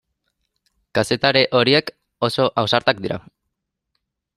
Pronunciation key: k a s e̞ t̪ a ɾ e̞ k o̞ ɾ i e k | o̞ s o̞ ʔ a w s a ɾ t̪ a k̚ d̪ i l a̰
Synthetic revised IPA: k a s e̞ t̪ a ɾ e̞ ʔ o̞ ɾ i e k | o̞ s o̞ ʔ a w s a ɾ t̪ a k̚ d̪ i ɾ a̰